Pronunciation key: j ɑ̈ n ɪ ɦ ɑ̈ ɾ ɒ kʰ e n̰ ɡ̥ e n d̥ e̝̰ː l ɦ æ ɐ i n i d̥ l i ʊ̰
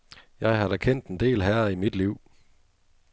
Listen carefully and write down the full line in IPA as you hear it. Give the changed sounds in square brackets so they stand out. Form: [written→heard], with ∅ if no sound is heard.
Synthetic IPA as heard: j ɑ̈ [n→∅] ɪ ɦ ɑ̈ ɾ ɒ kʰ e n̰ [ɡ̥→d̥] e n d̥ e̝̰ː l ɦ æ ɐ i [n→m] i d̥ l i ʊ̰